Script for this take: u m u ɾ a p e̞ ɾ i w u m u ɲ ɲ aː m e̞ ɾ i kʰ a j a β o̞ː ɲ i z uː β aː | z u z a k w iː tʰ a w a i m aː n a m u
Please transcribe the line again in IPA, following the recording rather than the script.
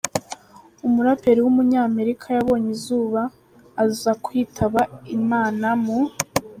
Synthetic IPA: u m u ɾ a p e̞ ɾ i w u m u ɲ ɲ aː m e̞ ɾ i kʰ a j a β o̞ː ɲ i z uː β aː | z u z a k w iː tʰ a β a i m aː n a m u